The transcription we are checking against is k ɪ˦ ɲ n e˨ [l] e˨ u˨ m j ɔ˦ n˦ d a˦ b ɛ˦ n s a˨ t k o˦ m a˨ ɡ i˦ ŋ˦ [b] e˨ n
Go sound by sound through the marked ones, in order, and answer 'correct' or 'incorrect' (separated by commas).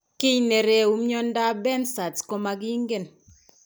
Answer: incorrect, incorrect